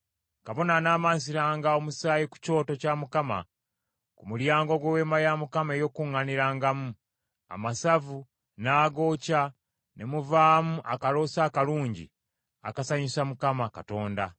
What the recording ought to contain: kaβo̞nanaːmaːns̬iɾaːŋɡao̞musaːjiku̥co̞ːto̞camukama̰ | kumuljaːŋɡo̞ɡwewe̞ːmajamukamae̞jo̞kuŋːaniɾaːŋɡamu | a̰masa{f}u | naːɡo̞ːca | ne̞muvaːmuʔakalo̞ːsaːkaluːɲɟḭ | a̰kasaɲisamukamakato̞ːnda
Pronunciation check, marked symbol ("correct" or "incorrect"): incorrect